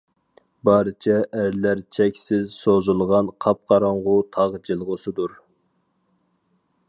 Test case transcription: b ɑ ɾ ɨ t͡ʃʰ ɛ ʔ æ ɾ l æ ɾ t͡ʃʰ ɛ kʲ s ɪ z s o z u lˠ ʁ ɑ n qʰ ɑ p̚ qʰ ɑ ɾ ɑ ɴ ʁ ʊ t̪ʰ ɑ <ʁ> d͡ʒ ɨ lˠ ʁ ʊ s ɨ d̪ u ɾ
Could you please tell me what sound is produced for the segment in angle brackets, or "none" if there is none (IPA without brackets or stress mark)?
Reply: ʁ